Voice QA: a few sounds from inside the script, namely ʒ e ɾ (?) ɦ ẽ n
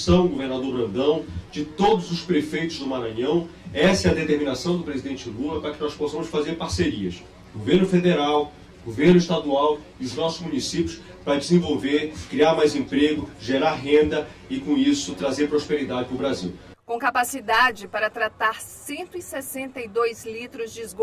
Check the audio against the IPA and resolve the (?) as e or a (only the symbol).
a